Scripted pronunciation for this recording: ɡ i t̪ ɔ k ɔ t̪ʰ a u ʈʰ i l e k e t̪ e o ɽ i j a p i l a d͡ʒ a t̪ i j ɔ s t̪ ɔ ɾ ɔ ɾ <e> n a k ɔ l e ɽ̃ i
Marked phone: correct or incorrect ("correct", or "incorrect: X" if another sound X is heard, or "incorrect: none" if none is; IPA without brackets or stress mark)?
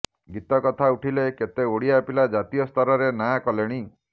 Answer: correct